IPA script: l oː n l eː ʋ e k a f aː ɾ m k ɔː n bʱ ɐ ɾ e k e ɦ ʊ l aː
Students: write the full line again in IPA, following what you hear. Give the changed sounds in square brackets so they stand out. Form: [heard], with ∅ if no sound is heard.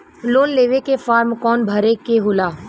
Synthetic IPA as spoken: l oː n l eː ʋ e k [e] f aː ɾ m k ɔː n bʱ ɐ ɾ e k e ɦ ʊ l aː